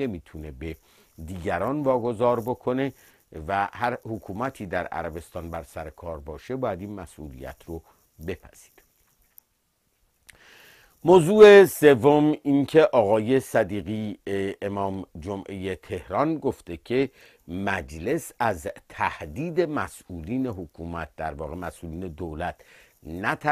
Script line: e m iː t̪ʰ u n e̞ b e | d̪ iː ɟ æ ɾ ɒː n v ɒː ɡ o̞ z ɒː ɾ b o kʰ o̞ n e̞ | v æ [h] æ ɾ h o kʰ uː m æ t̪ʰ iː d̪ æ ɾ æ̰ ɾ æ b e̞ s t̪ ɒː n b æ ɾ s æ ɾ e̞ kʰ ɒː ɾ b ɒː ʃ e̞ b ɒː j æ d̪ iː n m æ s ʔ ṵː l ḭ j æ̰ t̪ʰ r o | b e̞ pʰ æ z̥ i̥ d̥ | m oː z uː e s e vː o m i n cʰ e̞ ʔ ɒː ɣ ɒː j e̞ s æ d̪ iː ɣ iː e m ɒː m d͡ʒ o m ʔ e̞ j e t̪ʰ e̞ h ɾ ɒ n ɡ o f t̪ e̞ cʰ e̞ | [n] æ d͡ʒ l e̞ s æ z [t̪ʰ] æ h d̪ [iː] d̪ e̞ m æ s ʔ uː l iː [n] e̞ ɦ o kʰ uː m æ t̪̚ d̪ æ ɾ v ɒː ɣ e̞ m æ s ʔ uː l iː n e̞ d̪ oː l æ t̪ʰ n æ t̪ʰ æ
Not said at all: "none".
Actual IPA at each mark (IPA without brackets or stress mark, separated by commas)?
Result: h, m, t̪ʰ, iː, n